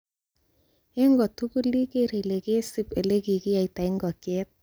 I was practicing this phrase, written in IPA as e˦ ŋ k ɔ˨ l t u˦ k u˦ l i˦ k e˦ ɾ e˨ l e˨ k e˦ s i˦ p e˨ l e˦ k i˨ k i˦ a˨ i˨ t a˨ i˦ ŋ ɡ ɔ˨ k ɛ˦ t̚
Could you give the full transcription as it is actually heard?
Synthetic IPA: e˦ ŋ ɡ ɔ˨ t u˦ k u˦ l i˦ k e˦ ɾ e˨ l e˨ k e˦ s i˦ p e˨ l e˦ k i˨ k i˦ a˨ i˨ t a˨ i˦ ŋ ɡ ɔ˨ k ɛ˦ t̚